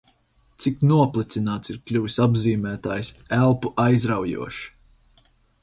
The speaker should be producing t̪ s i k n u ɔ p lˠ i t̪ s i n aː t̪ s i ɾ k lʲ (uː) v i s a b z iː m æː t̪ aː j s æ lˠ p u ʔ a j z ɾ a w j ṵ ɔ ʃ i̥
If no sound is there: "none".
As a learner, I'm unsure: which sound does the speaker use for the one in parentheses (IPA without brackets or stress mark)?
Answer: u